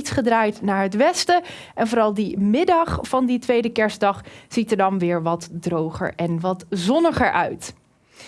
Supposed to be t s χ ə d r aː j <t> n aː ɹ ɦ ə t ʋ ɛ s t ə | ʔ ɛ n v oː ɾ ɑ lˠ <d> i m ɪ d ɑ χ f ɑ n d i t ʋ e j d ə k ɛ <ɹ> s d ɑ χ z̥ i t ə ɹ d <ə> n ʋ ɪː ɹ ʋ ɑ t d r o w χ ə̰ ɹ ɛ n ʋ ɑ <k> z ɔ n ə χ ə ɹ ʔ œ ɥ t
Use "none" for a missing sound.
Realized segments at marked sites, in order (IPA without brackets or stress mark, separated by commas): t, d, ɹ, ɑ, t